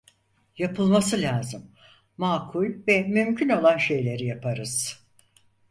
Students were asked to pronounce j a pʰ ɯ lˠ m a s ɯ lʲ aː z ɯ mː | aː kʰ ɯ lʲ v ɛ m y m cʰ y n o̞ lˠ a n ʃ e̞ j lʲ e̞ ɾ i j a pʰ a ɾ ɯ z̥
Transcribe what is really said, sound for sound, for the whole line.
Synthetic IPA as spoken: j a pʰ ɯ lˠ m a s ɯ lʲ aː z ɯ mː | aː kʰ u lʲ v ɛ m y m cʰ y n o̞ lˠ a n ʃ e̞ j lʲ e̞ ɾ i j a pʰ a ɾ ɯ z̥